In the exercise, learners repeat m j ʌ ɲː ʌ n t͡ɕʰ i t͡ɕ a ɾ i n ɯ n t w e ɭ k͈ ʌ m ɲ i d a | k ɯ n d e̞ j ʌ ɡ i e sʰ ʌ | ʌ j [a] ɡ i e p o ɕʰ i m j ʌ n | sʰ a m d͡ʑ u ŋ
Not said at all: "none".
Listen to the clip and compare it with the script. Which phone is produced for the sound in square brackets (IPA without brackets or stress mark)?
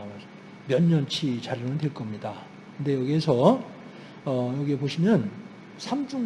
ʌ